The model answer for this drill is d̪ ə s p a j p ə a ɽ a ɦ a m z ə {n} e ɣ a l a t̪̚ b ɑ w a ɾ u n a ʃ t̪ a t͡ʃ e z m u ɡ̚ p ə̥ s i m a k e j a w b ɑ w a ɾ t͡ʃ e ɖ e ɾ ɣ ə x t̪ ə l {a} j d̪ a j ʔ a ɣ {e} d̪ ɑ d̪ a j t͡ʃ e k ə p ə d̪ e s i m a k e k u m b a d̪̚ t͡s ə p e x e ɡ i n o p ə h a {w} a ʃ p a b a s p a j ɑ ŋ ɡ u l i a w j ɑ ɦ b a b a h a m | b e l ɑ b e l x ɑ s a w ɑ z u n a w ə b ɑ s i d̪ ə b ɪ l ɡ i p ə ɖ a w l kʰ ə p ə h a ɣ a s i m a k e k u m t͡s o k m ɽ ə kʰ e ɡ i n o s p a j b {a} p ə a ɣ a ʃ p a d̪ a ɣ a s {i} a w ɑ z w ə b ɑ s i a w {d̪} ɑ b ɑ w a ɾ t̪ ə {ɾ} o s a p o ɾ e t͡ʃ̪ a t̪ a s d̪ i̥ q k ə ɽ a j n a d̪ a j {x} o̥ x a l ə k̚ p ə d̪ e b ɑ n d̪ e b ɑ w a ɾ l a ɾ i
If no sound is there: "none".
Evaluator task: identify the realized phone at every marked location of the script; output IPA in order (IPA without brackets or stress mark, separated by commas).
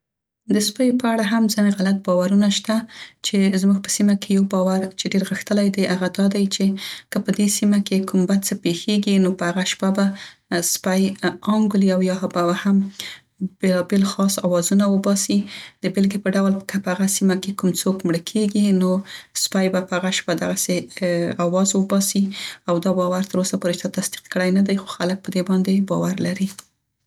n, a, a, ɣ, a, e, d̪, ɾ, x